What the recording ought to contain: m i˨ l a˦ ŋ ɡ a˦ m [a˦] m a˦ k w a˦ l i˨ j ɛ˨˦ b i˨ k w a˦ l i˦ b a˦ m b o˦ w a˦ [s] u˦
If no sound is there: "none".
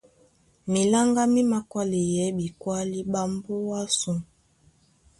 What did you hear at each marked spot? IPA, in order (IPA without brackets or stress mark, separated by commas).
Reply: i˦, s